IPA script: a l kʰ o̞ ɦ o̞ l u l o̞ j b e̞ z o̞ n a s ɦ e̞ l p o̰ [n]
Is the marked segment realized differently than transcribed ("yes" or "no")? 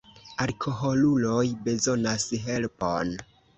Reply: no